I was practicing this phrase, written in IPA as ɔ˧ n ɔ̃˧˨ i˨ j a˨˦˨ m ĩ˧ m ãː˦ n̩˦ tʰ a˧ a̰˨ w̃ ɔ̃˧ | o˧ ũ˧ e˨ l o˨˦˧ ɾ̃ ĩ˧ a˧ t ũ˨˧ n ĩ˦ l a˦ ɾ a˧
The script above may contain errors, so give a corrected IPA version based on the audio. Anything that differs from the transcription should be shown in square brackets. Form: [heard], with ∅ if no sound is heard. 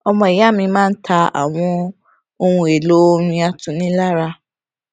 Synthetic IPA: ɔ˧ [m] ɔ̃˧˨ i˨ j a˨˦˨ m ĩ˧ m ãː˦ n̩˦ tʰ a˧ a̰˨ w̃ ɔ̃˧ | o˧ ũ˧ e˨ l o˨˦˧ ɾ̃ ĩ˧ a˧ t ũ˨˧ n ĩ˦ l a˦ ɾ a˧